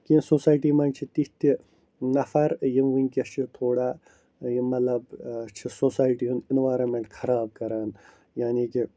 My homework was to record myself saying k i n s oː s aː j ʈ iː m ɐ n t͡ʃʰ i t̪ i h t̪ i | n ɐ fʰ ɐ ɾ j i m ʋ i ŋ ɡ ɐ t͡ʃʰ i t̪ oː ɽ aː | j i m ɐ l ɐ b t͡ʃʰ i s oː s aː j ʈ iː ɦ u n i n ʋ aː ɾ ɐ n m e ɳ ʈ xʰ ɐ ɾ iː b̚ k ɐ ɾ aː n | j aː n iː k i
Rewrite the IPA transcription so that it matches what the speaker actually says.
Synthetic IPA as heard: k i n s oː s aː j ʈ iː m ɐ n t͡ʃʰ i t̪ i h t̪ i | n ɐ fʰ ɐ ɾ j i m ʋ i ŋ k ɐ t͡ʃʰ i t̪ʰ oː ɽ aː | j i m ɐ l ɐ b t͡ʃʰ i s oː s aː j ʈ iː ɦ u n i n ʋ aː ɾ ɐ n m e ɳ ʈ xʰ ɐ ɾ aː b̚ k ɐ ɾ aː n | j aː n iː k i